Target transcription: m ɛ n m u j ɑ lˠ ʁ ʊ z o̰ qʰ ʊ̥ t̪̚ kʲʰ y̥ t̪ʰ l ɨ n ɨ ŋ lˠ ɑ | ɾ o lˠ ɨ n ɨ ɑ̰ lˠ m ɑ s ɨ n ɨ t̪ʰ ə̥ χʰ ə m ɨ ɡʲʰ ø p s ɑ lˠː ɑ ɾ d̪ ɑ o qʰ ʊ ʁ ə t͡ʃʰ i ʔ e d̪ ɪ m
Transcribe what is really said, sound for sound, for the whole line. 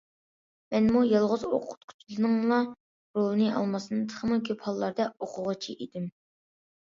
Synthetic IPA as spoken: m ɛ n m u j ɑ lˠ ʁ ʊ z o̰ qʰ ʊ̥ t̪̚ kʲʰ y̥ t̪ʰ l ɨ n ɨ ŋ lˠ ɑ | ɾ o lˠ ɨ n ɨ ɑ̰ lˠ m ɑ s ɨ n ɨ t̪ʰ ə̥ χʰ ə m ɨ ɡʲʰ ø p h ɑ lˠː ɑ ɾ d̪ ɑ o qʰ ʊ ʁ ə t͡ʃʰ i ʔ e d̪ ɪ m

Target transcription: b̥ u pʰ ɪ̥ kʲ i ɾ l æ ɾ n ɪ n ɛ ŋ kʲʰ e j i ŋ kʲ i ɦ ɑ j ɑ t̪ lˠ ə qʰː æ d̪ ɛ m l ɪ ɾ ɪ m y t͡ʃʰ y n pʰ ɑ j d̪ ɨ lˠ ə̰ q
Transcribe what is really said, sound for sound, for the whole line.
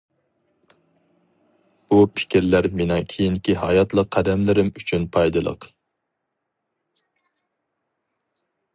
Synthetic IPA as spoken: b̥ u pʰ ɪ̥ kʲ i ɾ l æ ɾ m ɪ n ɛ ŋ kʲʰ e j i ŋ kʲ i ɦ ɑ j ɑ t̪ lˠ ə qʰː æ d̪ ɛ m l ɪ ɾ ɪ m y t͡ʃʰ y n pʰ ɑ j d̪ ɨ lˠ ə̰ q

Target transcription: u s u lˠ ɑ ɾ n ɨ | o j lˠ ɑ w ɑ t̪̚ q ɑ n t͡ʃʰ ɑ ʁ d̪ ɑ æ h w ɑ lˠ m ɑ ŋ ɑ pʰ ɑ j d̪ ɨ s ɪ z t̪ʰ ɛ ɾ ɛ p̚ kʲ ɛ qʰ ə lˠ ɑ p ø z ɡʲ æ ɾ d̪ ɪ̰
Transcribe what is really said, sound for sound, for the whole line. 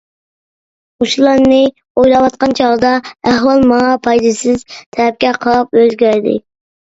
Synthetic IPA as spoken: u ʃ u lˠ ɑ ɾ n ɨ | o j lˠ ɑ w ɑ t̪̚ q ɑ n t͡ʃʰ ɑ ʁ d̪ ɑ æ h w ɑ lˠ m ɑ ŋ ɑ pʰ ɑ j d̪ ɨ s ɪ z t̪ʰ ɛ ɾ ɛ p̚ kʲ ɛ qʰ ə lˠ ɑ p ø z ɡʲ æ ɾ d̪ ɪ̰

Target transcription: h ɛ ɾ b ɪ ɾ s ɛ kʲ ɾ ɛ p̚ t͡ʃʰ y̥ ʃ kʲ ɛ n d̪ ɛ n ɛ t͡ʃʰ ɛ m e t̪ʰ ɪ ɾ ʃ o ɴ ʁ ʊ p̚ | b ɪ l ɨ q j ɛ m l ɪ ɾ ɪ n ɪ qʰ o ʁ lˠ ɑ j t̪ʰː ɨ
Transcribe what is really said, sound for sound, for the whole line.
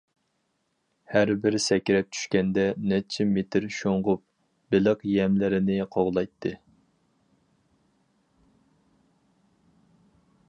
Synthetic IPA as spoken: h æ ɾ b ɪ ɾ s ɛ kʲ ɾ ɛ p̚ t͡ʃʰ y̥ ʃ kʲ ɛ n d̪ ɛ n ɛ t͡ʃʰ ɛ m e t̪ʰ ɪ ɾ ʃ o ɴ ʁ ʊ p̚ | b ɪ l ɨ q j ɛ m l ɪ ɾ ɪ n ɪ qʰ o ʁ lˠ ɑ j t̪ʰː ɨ

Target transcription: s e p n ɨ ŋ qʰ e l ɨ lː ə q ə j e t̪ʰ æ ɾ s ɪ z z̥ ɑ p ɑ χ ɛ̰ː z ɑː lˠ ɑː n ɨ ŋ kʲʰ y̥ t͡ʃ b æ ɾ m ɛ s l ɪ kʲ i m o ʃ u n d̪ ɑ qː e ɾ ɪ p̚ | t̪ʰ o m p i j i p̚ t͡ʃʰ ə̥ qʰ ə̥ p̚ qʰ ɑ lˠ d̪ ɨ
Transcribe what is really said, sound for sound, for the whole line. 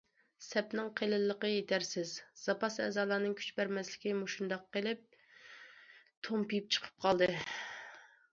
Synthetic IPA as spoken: s ɛ p n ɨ ŋ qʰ e l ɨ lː ə q ə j e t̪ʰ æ ɾ s ɪ z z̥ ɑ p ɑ s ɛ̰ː z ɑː lˠ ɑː n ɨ ŋ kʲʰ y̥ t͡ʃ b æ ɾ m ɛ s l ɪ kʲ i m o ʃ u n d̪ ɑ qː e l ɪ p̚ | t̪ʰ o m p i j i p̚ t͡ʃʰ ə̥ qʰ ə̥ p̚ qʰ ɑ lˠ d̪ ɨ

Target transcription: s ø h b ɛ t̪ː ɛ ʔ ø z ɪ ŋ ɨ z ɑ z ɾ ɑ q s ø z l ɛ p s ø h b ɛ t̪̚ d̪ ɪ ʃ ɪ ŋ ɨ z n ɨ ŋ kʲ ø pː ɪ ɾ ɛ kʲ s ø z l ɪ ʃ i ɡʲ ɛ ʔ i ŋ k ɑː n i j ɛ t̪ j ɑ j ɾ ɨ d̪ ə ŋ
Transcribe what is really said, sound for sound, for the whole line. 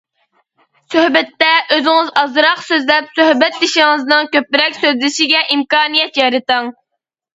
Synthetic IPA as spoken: s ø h b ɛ t̪ː ɛ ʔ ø z ɪ ŋ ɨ z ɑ z ɾ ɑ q s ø z l ɛ p s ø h b ɛ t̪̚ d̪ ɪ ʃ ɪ ŋ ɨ z n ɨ ŋ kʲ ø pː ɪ ɾ ɛ kʲ s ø z l ɪ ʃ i ɡʲ ɛ ʔ i m k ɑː n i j ɛ t̪ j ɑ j ɾ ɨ t̪ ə ŋ

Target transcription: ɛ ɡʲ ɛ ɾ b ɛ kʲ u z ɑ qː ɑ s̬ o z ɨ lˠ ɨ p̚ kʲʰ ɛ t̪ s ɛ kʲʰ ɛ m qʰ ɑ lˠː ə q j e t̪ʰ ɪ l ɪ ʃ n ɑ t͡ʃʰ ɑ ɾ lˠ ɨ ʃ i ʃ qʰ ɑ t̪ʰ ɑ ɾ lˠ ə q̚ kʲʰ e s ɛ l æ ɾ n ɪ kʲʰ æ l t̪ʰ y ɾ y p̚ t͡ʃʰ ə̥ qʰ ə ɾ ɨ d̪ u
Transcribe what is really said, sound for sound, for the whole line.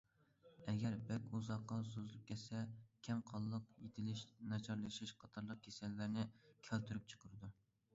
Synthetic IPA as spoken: ɛ ɡʲ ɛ ɾ b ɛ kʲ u z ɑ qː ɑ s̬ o z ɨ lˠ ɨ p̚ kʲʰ ɛ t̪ s ɛ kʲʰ ɛ m qʰ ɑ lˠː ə q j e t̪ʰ ɪ l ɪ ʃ n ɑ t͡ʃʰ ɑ ɾ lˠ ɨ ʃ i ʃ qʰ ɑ t̪ʰ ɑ ɾ lˠ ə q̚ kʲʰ e s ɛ lː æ ɾ n ɪ kʲʰ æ l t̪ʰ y ɾ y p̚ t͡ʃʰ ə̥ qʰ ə ɾ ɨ d̪ u

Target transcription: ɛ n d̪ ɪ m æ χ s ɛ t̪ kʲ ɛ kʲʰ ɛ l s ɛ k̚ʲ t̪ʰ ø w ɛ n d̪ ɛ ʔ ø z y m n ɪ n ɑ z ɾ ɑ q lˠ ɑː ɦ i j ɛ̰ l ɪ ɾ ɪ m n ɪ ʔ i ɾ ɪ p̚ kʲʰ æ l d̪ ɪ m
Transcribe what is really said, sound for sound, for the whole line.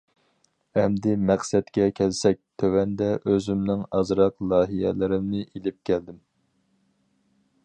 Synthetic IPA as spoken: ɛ m d̪ ɪ m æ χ s ɛ t̪ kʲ ɛ kʲʰ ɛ l s ɛ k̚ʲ t̪ʰ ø w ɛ n d̪ ɛ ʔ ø z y m n ɪ ŋ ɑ z ɾ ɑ q lˠ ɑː ɦ i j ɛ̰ l ɪ ɾ ɪ m n ɪ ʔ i l ɪ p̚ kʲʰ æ l d̪ ɪ m

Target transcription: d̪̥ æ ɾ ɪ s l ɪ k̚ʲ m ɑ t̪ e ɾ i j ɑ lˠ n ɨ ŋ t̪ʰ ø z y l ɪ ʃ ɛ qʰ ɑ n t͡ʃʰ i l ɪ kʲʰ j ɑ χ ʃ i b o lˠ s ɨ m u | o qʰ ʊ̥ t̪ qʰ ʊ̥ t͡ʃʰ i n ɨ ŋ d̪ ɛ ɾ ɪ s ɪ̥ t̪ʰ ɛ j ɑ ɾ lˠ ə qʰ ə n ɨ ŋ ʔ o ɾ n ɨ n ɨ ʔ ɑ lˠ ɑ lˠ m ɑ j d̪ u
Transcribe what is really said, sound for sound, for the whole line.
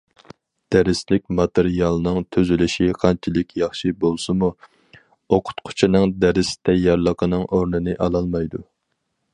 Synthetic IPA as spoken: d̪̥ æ ɾ ɪ s l ɪ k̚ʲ m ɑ t̪ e ɾ i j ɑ lˠ n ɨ ŋ t̪ʰ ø z y l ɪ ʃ i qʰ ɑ n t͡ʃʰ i l ɪ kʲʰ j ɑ χ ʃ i b o lˠ s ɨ m u | o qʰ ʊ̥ t̪ qʰ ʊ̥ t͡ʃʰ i n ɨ ŋ d̪ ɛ ɾ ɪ s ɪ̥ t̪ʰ ɛ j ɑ ɾ lˠ ə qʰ ə n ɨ ŋ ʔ o ɾ n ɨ n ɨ ʔ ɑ lˠ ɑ lˠ m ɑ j d̪ u

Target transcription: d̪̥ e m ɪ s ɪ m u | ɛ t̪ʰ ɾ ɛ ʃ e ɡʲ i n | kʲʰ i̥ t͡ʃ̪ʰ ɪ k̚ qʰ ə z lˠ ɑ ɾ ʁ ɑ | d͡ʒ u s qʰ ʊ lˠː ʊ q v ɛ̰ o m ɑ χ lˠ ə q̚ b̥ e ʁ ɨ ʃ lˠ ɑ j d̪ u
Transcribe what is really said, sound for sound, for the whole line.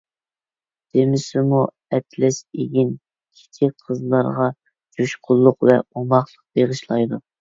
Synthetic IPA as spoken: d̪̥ e m ɪ s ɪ m u | ɛ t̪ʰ l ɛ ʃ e ɡʲ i n | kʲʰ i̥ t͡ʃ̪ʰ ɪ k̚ qʰ ə z lˠ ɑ ɾ ʁ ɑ | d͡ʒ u ʃ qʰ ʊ lˠː ʊ q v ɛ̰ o m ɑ χ lˠ ə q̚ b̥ e ʁ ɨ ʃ lˠ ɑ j d̪ u

